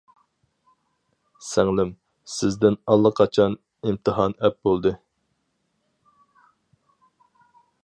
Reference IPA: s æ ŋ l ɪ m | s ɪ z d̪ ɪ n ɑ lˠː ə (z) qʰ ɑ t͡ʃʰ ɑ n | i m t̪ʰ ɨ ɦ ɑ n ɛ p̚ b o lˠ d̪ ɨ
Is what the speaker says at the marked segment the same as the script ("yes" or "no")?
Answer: no